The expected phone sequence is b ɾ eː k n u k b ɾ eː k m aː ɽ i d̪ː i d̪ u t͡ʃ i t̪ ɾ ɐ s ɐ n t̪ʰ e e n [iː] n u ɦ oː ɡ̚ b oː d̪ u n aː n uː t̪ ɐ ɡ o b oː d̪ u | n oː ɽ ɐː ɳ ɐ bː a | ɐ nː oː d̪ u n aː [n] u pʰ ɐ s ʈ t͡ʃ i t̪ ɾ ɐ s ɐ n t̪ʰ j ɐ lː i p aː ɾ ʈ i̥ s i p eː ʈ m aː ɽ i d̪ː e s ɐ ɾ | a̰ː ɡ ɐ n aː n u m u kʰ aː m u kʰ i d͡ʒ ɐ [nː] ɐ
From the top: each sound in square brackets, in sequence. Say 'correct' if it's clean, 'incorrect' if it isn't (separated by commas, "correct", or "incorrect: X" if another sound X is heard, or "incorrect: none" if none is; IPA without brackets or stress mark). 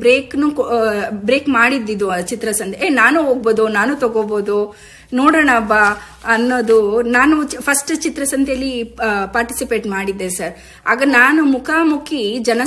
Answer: incorrect: aː, correct, incorrect: n